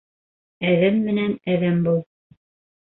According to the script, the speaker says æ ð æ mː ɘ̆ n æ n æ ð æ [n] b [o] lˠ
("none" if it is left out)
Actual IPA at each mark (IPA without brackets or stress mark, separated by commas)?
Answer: m, u